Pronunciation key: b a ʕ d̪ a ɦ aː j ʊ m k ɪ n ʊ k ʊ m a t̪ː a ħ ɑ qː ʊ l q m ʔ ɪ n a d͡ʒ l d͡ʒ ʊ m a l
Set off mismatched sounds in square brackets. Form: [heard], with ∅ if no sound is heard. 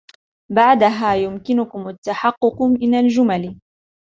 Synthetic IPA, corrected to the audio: b a ʕ d̪ a ɦ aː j ʊ m k ɪ n ʊ k ʊ m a t̪ː a ħ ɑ qː ʊ [∅] q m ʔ ɪ n a [∅] l d͡ʒ ʊ m a l